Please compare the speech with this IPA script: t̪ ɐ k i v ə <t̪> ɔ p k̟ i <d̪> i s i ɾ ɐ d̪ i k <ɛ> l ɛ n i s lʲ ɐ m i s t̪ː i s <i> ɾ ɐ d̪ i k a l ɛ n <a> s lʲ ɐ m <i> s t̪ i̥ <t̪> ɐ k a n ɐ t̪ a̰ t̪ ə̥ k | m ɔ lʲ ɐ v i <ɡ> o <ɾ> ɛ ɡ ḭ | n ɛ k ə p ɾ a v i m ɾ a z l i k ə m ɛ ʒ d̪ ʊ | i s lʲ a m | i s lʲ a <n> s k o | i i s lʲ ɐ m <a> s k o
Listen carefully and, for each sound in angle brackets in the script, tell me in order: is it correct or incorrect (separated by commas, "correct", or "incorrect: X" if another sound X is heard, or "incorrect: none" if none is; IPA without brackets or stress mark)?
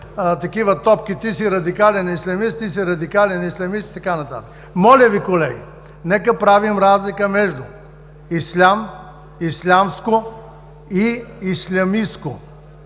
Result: correct, incorrect: t̪, incorrect: a, correct, incorrect: i, correct, correct, incorrect: k, incorrect: l, incorrect: m, incorrect: i